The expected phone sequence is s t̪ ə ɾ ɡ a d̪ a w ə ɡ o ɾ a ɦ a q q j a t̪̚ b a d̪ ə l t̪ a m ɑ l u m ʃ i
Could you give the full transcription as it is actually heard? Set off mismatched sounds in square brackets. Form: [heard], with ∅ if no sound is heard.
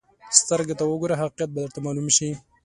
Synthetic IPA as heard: s t̪ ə ɾ ɡ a [t̪] a w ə ɡ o ɾ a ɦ a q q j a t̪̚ b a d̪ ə [ɾ] t̪ a m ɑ l u m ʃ i